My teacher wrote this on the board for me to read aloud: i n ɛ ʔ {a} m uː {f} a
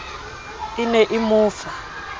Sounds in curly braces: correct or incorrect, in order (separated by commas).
incorrect, correct